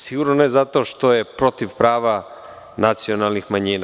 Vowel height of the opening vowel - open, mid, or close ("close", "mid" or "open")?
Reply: close